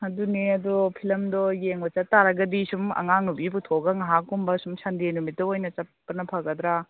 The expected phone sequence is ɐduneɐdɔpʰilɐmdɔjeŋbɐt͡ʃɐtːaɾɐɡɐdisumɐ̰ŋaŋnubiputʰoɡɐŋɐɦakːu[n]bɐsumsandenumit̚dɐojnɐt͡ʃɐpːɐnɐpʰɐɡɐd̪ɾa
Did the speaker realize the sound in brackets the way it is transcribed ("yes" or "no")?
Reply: no